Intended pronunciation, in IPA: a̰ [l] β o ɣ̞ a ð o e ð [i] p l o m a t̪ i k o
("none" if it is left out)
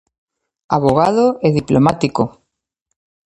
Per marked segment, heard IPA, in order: none, i

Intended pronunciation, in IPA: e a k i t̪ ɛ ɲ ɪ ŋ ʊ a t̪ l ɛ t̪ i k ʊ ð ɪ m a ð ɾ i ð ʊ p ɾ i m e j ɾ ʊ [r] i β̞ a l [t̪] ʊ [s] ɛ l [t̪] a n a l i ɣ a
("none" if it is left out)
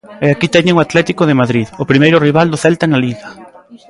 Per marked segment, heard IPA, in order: r, d̪, θ, t̪

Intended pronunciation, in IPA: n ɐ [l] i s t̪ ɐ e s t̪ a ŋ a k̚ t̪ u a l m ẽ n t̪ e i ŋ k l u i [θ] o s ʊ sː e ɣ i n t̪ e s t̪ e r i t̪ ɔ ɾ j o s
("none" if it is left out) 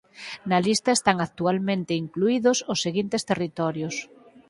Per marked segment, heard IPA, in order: l, ð

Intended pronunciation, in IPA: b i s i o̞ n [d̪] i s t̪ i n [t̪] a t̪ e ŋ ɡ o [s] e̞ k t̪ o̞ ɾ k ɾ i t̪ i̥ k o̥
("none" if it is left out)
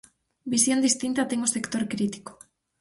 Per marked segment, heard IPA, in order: d̪, t̪, s

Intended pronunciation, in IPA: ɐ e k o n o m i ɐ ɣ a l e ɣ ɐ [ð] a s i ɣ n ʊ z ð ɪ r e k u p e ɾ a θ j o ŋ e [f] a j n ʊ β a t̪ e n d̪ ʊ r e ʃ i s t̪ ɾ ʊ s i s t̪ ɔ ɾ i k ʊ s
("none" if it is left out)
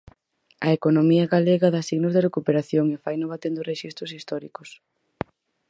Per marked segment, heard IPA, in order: ð, f

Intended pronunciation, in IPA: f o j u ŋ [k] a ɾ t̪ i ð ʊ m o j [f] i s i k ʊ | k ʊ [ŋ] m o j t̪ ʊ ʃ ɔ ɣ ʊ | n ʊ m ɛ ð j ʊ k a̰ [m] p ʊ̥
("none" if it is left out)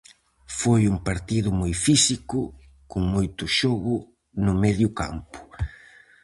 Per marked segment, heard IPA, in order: p, f, ŋ, m

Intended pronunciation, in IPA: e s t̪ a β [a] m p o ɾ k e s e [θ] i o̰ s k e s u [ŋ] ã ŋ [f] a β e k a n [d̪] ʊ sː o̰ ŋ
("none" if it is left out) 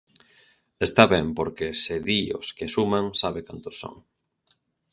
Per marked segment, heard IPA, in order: ɛ, ð, m, s, t̪

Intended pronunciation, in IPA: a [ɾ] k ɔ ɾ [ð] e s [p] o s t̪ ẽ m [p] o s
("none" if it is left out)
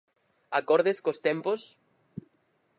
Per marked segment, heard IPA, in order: none, ð, k, p

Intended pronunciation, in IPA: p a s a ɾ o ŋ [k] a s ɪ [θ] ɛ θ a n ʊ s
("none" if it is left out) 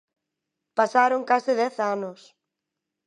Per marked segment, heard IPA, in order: k, ð

